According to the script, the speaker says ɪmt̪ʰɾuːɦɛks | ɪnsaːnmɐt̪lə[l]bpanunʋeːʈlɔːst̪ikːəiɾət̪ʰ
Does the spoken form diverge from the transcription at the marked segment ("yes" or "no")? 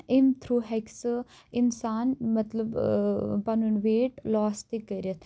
yes